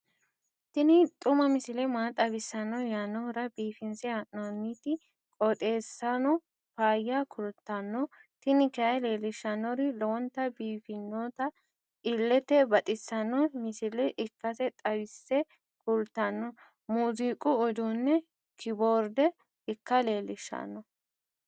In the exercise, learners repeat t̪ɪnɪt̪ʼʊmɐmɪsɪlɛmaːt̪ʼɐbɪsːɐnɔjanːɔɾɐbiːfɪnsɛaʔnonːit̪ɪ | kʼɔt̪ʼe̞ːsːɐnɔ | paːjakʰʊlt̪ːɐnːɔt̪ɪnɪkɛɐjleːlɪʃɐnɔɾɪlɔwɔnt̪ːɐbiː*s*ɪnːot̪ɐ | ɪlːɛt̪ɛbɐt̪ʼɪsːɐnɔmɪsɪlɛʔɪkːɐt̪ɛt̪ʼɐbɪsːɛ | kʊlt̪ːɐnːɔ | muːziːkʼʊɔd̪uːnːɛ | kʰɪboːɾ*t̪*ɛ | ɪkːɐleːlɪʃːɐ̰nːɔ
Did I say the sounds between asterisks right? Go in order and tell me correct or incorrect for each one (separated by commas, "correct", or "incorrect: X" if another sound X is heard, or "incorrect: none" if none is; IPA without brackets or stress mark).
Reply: incorrect: f, incorrect: d̪